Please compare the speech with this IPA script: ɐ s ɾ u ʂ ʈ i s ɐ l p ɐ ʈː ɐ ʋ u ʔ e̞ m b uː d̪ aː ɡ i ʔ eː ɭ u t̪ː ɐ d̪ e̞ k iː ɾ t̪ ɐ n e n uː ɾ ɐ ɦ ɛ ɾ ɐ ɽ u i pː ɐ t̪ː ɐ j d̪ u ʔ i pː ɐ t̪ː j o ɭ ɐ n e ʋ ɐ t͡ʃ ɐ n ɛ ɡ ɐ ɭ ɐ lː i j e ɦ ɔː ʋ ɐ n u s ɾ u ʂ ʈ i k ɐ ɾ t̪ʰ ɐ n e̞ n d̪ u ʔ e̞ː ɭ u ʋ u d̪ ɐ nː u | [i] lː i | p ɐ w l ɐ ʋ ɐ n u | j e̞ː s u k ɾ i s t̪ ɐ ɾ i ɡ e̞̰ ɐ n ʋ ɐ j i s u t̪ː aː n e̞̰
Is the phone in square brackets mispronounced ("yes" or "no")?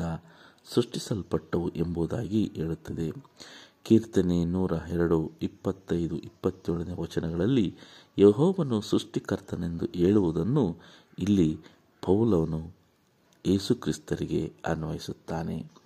no